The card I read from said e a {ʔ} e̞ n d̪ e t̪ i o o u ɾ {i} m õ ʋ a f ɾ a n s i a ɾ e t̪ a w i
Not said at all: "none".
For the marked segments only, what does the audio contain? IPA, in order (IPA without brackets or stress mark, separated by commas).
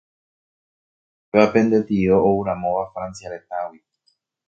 p, a